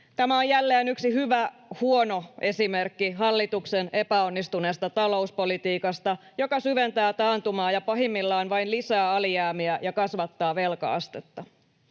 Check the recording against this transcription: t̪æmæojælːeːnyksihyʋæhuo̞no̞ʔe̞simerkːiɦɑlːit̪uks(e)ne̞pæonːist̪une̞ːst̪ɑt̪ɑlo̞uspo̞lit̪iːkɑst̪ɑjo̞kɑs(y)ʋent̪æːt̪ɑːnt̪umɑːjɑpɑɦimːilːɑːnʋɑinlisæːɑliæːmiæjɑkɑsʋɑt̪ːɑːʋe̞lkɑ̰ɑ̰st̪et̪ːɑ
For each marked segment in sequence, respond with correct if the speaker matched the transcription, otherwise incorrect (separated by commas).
correct, correct